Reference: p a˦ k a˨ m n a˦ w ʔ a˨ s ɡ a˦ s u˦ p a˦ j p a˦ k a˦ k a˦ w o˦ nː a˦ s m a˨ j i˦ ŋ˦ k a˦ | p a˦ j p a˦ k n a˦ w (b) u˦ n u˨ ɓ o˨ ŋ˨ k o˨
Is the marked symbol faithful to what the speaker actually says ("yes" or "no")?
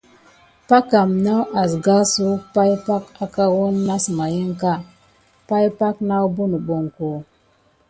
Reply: yes